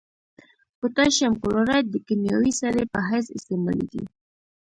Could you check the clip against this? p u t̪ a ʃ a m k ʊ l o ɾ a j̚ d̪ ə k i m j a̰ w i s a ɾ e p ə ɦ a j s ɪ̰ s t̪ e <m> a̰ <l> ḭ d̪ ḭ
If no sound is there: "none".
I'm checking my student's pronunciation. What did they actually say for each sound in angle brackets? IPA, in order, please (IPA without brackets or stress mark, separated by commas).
m, l